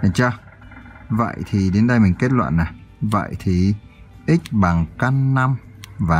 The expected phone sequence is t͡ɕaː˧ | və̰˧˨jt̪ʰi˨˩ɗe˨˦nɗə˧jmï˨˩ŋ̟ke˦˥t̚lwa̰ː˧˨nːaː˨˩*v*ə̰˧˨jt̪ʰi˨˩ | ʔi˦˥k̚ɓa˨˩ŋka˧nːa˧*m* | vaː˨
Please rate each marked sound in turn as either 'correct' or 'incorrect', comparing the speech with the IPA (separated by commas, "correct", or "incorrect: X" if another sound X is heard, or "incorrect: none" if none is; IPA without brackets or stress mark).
correct, correct